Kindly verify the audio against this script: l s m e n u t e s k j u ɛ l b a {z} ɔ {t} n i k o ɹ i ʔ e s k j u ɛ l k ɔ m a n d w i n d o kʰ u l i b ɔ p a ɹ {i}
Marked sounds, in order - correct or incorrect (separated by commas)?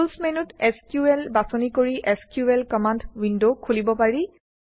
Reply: incorrect, incorrect, correct